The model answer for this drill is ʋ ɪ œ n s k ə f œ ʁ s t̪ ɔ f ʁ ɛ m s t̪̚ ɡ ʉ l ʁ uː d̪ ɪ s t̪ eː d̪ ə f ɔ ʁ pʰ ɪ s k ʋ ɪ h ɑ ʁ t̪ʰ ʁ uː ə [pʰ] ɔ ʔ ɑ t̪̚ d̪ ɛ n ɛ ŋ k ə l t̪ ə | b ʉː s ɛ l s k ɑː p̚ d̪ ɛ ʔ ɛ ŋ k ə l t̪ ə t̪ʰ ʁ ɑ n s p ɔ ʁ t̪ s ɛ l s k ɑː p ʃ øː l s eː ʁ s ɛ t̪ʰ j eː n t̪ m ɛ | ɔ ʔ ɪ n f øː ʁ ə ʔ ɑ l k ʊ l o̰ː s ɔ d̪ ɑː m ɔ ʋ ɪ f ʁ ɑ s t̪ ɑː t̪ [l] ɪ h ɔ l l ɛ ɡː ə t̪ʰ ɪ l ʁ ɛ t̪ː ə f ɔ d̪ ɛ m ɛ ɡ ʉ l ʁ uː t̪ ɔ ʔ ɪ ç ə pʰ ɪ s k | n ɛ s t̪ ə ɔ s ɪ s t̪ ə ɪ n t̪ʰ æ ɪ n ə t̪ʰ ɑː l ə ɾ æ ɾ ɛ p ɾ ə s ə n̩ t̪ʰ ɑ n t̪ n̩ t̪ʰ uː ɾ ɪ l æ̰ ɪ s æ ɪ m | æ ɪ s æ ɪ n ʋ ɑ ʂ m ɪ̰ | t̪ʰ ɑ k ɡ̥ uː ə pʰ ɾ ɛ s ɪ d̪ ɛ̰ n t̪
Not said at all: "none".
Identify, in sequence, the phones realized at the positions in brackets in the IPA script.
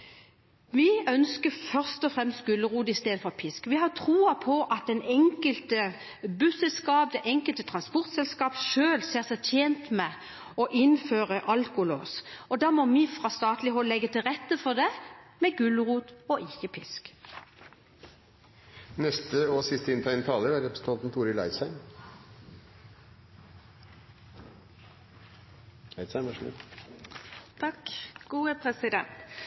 pʰ, l

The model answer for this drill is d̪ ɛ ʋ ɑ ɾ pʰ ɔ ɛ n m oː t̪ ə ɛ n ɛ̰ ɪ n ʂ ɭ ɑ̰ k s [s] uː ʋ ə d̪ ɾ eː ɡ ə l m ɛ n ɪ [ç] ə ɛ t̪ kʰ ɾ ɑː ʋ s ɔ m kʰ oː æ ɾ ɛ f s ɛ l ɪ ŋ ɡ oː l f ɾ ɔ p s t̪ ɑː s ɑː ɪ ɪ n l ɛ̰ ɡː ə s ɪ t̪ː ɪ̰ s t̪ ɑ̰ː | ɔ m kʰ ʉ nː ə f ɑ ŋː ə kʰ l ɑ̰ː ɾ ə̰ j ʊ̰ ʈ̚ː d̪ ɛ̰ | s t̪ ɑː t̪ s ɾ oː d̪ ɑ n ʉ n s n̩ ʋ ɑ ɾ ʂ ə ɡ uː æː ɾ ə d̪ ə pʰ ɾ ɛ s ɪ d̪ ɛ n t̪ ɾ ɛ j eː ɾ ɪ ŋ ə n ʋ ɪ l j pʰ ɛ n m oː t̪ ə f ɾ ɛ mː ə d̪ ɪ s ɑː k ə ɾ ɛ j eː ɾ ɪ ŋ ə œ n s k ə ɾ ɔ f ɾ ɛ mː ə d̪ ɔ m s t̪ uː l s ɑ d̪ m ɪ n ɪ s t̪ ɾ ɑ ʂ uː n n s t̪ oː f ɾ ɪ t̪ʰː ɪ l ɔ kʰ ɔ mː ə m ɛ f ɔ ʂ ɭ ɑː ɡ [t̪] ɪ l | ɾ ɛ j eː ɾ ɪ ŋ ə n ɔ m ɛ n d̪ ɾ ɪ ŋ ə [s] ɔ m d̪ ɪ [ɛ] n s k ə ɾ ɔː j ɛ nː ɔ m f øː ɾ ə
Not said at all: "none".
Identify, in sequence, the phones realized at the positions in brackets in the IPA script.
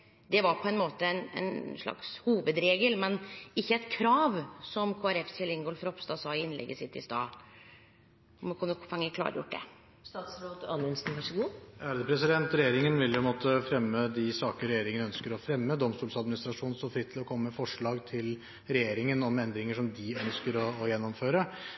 h, çː, t̪ʰ, ʂ, œ

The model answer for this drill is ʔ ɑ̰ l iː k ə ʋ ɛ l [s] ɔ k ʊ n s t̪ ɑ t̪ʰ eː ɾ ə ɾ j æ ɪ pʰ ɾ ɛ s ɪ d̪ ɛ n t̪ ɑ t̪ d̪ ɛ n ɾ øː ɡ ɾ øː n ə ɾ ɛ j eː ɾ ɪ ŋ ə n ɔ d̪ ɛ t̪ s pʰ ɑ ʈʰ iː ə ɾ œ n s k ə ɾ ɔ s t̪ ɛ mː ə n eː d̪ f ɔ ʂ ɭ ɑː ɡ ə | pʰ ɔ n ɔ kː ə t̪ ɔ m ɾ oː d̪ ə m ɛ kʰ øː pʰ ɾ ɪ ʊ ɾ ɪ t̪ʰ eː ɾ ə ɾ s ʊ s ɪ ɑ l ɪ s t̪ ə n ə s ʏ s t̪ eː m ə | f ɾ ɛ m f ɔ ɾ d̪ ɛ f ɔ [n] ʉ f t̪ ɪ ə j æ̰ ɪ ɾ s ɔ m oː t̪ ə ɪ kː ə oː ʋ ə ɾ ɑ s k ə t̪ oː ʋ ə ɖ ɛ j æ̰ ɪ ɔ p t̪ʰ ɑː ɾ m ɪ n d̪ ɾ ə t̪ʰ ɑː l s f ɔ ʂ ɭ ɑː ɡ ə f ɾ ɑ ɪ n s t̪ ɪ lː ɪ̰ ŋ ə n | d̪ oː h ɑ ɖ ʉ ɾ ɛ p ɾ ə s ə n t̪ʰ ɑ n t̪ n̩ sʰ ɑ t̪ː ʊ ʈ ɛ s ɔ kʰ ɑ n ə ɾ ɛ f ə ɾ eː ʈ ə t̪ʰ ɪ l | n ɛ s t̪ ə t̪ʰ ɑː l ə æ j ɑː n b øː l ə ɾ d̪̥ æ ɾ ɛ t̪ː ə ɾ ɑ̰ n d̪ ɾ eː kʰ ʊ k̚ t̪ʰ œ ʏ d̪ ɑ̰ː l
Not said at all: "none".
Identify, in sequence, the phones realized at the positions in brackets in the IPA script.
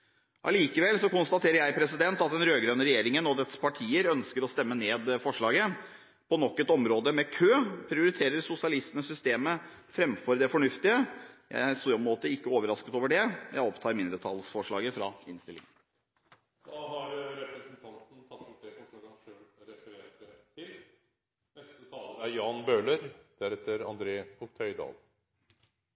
s, ɳ

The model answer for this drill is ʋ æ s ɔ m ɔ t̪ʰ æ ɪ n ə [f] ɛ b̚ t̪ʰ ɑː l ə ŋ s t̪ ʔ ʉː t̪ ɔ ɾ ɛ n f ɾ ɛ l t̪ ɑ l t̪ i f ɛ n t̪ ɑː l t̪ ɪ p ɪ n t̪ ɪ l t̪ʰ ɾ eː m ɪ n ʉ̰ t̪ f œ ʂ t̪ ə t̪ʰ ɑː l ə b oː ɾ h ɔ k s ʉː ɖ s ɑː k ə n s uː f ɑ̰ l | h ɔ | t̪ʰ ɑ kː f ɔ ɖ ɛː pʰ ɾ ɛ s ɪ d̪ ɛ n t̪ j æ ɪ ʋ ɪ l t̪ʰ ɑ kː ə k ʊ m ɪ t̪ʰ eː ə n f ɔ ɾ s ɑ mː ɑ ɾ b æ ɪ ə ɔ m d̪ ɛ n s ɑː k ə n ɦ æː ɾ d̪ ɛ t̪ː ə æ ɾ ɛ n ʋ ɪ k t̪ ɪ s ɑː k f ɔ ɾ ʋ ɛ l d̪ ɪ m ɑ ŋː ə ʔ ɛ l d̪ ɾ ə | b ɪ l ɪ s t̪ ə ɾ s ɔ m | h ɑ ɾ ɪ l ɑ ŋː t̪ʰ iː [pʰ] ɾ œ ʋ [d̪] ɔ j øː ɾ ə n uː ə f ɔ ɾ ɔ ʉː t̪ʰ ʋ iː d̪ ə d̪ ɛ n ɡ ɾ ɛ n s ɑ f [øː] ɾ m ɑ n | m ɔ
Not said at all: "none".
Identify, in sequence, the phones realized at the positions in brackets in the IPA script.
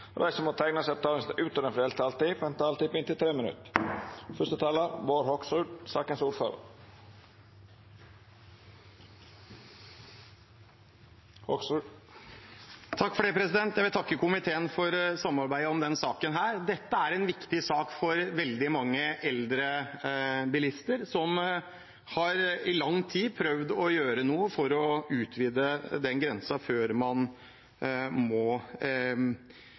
s, pʰ, d̪, øː

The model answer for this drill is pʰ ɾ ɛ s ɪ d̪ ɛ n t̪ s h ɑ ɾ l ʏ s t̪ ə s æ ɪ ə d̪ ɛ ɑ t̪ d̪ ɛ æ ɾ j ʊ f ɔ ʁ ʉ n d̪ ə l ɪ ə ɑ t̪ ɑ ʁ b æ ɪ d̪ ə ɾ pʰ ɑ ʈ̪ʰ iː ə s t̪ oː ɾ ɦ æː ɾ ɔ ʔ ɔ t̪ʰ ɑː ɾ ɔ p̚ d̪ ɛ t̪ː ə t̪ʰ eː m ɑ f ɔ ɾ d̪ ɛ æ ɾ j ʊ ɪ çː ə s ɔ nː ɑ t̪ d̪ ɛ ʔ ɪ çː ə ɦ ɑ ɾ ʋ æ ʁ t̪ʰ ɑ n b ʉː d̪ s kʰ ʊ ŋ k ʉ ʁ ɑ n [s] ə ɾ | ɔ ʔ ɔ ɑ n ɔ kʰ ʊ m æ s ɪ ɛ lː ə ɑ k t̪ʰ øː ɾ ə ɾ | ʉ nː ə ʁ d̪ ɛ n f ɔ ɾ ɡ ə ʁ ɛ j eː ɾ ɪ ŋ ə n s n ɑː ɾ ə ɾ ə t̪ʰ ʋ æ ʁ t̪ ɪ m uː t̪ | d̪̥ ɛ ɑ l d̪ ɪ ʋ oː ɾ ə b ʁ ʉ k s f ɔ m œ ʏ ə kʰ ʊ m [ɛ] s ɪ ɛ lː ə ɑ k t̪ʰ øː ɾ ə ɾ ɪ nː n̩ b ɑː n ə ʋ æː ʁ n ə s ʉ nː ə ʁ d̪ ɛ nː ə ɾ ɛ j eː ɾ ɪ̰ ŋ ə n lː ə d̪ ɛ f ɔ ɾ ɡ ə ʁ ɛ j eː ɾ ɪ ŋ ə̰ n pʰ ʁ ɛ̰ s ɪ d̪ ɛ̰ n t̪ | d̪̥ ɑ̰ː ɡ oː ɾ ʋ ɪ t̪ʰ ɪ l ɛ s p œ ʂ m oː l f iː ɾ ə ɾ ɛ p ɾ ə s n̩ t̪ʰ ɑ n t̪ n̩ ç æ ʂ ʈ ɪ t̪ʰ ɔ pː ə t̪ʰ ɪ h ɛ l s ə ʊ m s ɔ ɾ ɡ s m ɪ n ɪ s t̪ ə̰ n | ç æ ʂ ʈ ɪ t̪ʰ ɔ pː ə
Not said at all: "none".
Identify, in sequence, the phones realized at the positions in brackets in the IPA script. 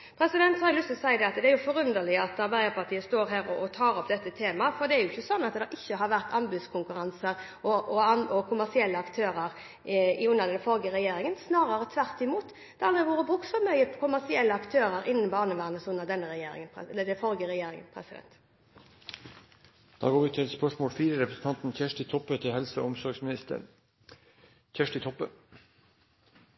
s, æ

